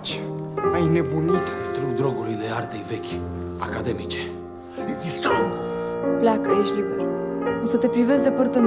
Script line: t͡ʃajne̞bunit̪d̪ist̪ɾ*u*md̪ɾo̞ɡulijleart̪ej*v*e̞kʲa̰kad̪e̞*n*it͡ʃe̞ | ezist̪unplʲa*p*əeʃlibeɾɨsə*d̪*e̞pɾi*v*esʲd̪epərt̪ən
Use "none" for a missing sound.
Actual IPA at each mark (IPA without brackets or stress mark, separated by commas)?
u, v, m, k, t̪, v